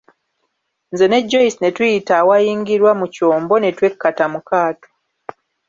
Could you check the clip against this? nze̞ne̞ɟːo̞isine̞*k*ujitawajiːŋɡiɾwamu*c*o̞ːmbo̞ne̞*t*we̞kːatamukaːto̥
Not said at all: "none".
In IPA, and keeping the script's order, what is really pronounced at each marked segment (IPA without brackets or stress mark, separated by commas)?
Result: t, c, t